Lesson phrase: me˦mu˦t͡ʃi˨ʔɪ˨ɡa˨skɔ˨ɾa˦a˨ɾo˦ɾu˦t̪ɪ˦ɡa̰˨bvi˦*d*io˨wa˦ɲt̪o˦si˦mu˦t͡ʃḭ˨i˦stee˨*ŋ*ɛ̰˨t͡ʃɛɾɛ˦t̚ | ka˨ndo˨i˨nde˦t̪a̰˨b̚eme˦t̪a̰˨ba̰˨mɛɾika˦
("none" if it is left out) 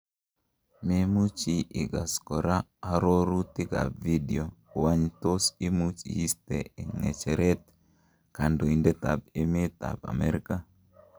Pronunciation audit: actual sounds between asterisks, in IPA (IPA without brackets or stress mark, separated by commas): d, ŋ